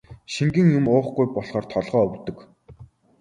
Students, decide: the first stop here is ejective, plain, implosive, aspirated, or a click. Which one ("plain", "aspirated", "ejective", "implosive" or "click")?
plain